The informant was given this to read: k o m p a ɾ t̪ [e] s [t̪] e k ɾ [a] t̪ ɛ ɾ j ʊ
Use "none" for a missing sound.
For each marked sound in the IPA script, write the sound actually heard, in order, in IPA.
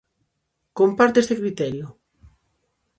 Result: e, t̪, i

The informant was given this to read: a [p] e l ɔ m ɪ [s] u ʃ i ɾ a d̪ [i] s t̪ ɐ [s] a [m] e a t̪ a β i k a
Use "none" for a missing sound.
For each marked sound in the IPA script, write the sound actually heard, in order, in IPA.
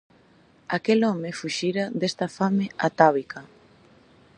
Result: k, f, e, f, m

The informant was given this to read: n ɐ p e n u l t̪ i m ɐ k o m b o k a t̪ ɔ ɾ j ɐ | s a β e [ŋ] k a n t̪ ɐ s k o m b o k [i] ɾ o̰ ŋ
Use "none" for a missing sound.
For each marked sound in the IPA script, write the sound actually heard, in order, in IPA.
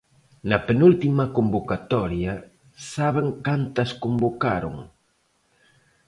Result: ŋ, a

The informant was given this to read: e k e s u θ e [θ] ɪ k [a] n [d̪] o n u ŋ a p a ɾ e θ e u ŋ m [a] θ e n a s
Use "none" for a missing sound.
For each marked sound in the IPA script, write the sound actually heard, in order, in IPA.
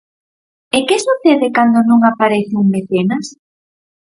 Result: ð, a, d̪, e

